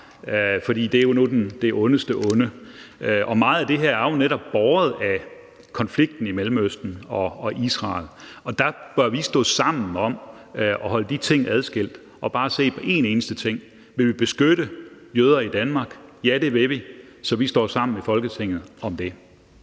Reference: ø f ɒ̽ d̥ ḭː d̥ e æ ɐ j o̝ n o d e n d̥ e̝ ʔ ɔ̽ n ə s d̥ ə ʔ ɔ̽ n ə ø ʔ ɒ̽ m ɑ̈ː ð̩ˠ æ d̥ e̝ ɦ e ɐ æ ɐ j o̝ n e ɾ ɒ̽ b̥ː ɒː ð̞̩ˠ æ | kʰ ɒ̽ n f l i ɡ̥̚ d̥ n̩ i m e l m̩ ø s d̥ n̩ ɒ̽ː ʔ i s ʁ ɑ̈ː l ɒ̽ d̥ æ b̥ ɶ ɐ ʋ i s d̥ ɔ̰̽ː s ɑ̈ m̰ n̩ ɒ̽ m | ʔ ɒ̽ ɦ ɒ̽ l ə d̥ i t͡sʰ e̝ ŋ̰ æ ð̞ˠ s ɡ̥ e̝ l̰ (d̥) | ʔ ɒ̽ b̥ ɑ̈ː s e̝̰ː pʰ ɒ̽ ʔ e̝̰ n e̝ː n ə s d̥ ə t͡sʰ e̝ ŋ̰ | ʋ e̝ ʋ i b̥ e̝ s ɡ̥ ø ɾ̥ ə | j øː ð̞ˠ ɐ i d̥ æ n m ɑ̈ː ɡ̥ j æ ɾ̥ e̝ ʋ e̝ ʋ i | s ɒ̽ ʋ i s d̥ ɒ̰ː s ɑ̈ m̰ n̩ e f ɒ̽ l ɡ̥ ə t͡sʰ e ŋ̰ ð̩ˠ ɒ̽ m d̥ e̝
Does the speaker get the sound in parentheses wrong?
no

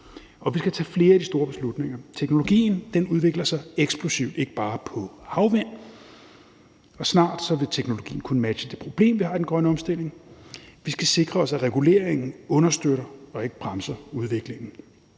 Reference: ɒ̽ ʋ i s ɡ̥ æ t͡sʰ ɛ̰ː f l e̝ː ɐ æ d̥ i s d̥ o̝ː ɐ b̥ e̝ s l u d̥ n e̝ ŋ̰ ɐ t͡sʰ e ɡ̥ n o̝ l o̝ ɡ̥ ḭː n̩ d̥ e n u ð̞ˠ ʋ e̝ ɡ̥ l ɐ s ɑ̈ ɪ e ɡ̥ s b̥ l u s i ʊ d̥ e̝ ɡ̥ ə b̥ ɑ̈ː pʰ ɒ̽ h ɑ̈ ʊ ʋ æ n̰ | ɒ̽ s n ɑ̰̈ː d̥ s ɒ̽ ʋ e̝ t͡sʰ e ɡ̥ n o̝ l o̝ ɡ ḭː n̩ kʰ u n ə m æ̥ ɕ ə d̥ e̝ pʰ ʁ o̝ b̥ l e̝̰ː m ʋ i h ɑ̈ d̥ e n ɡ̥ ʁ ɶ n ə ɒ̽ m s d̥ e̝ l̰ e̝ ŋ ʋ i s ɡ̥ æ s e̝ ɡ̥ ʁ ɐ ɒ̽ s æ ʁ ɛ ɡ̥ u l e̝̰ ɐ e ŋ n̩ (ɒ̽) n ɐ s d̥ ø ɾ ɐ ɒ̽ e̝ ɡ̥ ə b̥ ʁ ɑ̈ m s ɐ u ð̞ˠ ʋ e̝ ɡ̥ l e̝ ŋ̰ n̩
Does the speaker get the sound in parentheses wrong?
yes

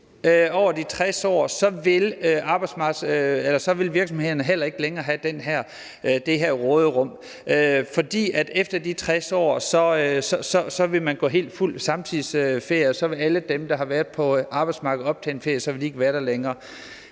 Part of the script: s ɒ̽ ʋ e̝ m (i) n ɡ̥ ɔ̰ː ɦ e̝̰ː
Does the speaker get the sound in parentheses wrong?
yes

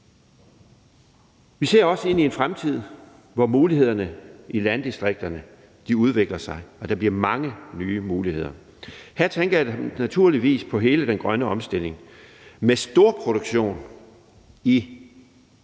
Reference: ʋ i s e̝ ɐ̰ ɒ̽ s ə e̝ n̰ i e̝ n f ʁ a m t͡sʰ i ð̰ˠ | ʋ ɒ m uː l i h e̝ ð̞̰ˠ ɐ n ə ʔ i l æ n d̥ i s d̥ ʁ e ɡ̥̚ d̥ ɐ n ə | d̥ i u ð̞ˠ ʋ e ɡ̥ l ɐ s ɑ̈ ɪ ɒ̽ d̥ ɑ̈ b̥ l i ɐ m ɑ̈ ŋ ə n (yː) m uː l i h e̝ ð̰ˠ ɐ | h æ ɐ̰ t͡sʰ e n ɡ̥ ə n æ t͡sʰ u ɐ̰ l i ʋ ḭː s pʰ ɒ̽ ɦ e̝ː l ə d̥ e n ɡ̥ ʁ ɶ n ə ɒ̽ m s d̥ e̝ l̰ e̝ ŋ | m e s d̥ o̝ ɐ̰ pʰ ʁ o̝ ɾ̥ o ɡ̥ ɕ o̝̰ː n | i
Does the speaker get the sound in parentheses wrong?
no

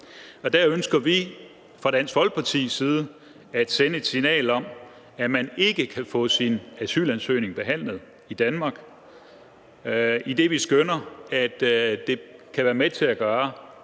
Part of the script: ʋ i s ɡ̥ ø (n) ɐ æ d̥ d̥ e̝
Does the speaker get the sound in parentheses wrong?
no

